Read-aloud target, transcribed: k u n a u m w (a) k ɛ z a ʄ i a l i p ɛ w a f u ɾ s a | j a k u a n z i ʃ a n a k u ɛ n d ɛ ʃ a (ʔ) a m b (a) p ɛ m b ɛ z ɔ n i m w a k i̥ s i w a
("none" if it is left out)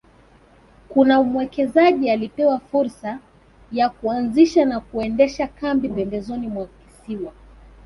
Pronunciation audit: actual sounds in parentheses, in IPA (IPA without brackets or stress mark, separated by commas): ɛ, k, i